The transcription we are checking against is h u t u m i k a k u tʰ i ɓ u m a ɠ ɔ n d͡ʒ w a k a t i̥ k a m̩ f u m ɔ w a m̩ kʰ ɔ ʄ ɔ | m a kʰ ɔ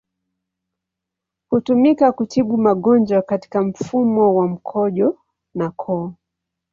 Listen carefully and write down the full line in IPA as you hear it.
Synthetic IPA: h u t u m i k a k u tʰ i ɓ u m a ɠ ɔ n d͡ʒ w a k a t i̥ k a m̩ f u m ɔ w a m̩ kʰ ɔ ʄ ɔ | n a kʰ ɔ